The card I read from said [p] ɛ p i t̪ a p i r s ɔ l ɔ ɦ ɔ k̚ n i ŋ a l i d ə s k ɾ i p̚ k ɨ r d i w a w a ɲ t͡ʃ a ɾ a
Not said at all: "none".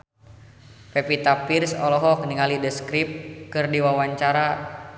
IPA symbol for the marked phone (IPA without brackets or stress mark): p